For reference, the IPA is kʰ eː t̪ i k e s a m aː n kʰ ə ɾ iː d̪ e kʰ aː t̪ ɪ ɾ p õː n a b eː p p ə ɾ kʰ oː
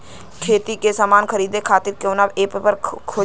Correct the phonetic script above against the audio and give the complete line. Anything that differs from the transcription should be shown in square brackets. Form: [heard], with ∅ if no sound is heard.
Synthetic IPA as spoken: kʰ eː t̪ i k e s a m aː n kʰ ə ɾ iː d̪ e kʰ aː t̪ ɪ ɾ [k] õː n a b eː p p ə ɾ kʰ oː